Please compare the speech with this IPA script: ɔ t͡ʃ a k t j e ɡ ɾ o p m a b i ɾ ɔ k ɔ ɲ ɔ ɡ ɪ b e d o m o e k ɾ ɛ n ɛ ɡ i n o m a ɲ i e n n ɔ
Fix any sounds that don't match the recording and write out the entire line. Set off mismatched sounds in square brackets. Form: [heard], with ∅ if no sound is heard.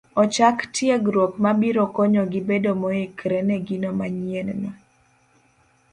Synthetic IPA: ɔ t͡ʃ a k t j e ɡ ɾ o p m a b i ɾ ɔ k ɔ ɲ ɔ ɡ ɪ b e d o m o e k ɾ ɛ n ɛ ɡ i n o m a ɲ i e n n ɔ